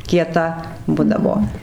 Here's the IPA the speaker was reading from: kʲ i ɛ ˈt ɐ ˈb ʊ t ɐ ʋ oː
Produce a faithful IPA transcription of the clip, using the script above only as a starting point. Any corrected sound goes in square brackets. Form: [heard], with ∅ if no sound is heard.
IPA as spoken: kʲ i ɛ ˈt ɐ ˈb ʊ [d] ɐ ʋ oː